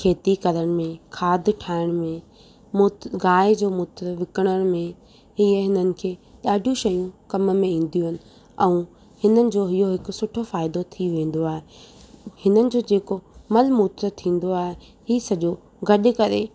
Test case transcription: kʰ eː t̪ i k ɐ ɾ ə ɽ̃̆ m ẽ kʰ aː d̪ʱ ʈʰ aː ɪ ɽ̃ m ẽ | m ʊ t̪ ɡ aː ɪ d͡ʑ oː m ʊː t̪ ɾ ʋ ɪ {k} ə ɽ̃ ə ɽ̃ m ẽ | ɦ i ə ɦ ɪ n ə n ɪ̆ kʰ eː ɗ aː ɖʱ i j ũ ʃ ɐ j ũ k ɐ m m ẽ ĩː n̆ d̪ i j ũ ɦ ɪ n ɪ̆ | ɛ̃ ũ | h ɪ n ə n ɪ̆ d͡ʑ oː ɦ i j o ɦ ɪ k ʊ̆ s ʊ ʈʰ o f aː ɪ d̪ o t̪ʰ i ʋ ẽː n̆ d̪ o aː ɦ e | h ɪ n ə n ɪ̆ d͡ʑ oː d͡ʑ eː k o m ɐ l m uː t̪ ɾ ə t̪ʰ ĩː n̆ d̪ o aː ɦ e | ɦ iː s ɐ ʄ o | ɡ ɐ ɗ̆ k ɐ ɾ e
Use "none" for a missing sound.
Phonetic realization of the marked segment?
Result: k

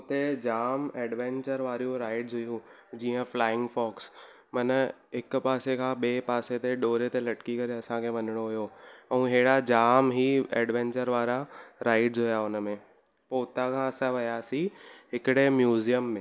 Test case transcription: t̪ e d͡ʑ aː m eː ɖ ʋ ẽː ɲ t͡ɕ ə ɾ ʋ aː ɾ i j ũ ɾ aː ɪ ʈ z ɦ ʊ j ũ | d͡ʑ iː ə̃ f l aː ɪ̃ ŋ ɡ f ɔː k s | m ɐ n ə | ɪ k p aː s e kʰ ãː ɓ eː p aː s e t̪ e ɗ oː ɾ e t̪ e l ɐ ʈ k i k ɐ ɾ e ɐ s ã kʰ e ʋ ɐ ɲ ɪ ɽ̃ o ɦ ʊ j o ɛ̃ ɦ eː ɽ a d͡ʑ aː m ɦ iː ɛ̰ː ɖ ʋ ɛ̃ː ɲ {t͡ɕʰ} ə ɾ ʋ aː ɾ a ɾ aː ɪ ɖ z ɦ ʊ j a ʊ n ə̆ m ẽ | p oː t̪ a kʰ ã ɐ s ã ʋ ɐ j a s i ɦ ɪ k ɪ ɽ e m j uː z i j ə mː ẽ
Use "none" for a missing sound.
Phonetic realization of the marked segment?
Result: t͡ɕ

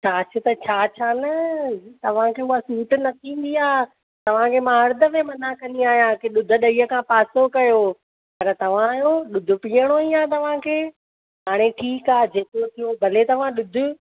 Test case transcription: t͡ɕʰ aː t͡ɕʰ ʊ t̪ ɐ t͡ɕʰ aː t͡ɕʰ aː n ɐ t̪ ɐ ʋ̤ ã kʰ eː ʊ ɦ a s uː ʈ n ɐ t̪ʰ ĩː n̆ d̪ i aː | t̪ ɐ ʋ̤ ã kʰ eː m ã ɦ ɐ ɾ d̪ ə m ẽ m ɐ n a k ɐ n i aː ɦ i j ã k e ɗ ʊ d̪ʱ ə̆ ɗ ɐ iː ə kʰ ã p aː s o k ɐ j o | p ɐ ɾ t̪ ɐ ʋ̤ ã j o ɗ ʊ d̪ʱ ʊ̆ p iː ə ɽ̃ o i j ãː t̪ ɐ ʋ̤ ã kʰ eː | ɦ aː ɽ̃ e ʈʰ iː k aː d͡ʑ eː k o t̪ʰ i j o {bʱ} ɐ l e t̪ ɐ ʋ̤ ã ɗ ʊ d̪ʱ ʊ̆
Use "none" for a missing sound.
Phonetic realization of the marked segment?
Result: bʱ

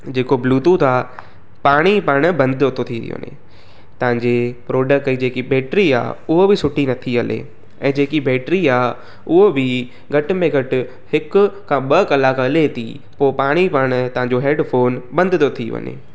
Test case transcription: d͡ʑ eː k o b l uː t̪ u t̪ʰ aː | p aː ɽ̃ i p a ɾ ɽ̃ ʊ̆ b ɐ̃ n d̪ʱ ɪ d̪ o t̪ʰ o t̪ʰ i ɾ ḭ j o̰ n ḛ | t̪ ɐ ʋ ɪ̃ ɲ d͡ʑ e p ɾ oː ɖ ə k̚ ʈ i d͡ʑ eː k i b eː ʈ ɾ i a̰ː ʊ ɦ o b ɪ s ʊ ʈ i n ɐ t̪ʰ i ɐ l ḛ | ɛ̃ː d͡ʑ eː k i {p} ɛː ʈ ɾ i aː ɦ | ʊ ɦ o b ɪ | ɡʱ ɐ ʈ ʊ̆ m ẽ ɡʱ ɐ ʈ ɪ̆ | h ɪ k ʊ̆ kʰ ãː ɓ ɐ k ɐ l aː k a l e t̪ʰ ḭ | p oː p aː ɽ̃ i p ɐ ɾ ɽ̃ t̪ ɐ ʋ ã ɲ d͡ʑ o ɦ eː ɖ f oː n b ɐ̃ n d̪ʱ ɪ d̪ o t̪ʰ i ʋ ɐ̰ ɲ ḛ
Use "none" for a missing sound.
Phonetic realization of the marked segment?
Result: b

